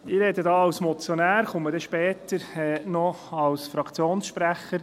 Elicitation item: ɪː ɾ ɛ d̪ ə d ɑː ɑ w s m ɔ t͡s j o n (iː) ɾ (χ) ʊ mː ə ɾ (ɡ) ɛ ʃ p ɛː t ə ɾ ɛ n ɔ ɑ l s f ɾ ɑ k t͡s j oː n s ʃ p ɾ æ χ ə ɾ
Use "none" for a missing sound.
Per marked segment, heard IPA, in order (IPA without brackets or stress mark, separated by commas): æː, χ, d